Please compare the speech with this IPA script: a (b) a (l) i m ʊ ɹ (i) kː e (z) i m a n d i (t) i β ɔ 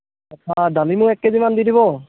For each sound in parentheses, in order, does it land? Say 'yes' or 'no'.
no, yes, no, yes, no

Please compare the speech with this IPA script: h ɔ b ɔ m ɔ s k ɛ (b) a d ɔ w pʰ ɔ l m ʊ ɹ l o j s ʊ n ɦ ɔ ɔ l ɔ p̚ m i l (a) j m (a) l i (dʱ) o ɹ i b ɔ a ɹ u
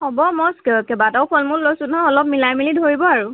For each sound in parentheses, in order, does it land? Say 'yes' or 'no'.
yes, yes, no, yes

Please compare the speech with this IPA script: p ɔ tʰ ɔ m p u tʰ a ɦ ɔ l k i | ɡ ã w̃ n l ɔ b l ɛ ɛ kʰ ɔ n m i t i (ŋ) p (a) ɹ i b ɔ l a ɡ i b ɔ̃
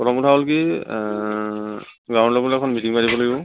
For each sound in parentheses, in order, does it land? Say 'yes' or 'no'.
yes, yes

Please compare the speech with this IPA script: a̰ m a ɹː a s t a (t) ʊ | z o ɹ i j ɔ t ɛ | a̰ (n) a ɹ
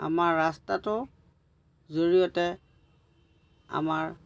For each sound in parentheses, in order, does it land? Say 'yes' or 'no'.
yes, no

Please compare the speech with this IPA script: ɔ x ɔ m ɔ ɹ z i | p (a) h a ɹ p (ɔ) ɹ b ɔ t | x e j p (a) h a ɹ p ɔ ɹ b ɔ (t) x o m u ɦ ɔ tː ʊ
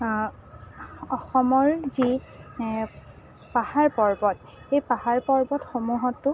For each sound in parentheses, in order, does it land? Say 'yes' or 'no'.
yes, yes, yes, yes

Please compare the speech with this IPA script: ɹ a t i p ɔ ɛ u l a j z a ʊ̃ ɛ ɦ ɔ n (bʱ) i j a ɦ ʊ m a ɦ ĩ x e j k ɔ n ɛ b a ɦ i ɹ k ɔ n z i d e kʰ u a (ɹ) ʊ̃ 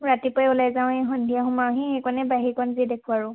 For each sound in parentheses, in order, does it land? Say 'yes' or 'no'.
no, yes

